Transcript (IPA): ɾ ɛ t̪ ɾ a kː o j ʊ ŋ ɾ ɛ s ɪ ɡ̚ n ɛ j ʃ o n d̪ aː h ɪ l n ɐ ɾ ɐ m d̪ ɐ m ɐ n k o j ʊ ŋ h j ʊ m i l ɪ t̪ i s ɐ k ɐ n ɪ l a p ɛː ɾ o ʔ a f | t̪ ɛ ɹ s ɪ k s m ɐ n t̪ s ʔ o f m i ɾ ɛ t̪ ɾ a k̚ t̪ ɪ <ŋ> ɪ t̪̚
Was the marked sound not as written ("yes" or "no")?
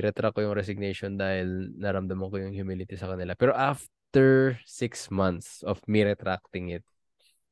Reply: no